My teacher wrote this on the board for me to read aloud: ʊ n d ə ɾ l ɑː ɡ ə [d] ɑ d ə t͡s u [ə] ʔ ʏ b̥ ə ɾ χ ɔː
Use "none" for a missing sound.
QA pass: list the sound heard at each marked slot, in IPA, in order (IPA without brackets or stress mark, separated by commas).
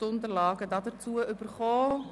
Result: d, ə